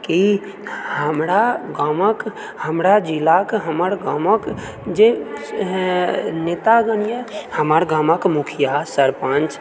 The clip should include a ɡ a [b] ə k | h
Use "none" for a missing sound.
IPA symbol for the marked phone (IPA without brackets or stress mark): m